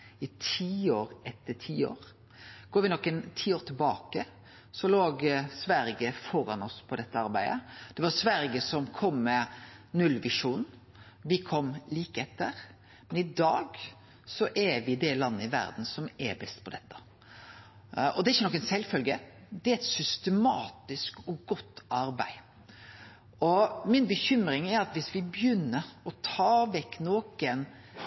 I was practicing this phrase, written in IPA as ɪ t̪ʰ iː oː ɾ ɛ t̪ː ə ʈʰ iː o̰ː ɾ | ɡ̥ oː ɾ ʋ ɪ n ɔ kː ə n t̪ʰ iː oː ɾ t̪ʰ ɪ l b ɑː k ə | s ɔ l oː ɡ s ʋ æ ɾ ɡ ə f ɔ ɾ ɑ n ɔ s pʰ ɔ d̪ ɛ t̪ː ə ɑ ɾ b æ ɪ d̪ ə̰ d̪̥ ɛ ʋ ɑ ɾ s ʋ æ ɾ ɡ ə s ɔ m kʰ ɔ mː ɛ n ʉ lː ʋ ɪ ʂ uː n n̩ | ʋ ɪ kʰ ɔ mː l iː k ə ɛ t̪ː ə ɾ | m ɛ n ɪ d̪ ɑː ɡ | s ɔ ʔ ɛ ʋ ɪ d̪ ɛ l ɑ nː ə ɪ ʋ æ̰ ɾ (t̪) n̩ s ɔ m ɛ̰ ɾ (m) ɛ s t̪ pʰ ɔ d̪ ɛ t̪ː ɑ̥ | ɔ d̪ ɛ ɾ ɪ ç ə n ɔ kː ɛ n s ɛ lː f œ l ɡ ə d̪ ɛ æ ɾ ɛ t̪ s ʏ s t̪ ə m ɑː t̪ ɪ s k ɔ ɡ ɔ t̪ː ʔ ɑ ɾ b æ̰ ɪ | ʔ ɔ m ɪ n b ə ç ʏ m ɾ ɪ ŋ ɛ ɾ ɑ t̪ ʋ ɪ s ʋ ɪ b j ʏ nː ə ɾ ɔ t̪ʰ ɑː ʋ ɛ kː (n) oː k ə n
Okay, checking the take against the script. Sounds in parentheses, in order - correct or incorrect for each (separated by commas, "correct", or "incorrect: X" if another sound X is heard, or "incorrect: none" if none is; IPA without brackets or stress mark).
incorrect: d̪, incorrect: b, correct